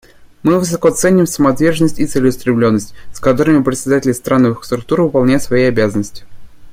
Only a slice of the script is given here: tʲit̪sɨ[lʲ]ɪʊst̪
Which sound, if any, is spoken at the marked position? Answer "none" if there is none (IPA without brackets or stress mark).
lʲ